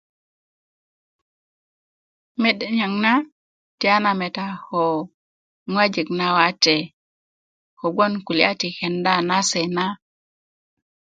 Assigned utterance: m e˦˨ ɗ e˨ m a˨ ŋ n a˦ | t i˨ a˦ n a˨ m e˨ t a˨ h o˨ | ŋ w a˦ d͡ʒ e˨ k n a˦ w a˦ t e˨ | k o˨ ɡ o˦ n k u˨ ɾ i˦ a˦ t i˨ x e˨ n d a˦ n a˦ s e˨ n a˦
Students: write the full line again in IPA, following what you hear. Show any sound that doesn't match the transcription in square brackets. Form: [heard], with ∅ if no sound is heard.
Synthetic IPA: m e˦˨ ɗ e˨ [ɲ] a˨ ŋ n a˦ | t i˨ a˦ n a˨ m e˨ t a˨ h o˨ | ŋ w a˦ d͡ʒ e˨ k n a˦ w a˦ t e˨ | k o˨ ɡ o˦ n k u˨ [l] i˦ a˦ t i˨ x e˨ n d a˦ n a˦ s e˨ n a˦